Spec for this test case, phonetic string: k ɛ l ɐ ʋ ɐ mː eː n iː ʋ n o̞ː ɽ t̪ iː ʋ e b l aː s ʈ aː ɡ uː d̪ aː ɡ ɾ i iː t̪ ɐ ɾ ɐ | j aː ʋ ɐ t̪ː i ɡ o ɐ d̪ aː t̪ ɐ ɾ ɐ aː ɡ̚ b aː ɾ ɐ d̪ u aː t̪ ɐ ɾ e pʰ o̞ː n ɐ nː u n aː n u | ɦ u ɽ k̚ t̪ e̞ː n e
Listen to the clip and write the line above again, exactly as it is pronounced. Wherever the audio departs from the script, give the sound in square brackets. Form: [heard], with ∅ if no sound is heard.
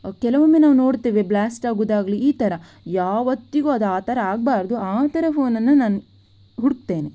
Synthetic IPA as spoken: k ɛ l ɐ ʋ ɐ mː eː n [aː] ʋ n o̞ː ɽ t̪ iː ʋ e b l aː s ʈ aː ɡ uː d̪ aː ɡ [l] i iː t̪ ɐ ɾ ɐ | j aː ʋ ɐ t̪ː i ɡ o ɐ d̪ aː t̪ ɐ ɾ ɐ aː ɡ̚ b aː ɾ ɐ d̪ u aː t̪ ɐ ɾ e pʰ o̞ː n ɐ nː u n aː n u | ɦ u ɽ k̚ t̪ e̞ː n e